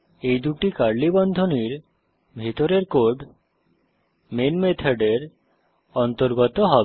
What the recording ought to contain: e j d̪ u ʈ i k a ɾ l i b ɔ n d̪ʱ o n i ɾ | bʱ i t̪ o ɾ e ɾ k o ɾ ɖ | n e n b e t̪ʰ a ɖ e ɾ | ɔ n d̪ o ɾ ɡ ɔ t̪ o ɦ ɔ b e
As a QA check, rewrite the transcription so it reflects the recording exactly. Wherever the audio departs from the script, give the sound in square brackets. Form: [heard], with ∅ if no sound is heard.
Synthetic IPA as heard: e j d̪ u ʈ i k a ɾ l i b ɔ n d̪ʱ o n i ɾ | bʱ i t̪ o ɾ e ɾ k o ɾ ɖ | [m] e n [m] e t̪ʰ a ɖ e ɾ | ɔ n [t̪] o ɾ ɡ ɔ t̪ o ɦ ɔ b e